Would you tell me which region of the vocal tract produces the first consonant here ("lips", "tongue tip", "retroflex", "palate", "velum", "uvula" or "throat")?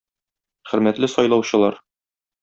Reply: uvula